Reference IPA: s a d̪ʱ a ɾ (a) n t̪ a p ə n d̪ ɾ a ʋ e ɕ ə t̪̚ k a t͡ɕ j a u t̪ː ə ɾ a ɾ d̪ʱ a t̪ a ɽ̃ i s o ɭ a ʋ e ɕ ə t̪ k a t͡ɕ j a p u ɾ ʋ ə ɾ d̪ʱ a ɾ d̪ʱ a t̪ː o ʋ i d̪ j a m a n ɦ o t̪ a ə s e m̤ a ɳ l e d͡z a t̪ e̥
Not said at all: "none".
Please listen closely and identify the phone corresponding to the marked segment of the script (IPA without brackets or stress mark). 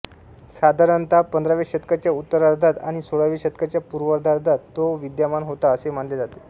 ə